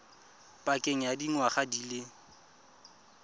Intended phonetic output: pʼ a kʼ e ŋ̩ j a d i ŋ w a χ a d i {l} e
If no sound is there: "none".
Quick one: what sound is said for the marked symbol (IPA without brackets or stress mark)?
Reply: l